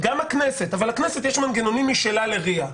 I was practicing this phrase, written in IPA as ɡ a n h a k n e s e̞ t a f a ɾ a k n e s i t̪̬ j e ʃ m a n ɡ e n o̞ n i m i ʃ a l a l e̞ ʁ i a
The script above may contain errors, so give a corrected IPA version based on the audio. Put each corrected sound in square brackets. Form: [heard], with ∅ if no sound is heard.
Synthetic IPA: ɡ a [m] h a k n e s e̞ t a [v] a [l] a k n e s [e] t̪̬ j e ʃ m a n ɡ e n o̞ n i m i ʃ [e] l a l e̞ ʁ i a